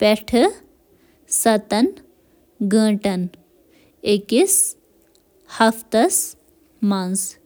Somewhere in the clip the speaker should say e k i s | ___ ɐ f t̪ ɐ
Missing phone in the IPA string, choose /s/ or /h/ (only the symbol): h